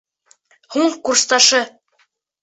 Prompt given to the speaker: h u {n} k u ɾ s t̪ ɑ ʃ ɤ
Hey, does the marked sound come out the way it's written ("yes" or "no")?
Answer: no